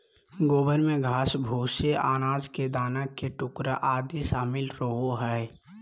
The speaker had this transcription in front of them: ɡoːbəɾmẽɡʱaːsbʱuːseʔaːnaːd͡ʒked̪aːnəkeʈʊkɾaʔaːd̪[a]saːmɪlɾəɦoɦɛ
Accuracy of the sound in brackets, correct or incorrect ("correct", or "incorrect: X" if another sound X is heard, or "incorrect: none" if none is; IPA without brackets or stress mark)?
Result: incorrect: i